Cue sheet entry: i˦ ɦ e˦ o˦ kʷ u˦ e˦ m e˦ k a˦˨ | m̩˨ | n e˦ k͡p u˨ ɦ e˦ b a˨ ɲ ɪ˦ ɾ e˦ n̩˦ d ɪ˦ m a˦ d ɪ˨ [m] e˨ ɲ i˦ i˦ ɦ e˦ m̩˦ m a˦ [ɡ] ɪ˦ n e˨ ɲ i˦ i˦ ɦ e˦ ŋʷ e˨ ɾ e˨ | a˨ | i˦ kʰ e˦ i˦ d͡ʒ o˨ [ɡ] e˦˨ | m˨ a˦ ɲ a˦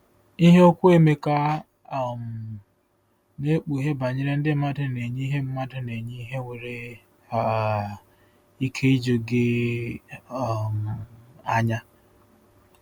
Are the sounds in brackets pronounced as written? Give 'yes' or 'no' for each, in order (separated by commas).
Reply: no, no, yes